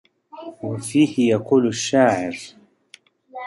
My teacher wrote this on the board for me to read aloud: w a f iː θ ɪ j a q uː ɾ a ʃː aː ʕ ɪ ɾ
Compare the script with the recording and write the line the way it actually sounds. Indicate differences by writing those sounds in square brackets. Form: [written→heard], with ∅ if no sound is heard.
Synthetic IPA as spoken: w a f iː [θ→h] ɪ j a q uː [ɾ→l] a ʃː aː ʕ ɪ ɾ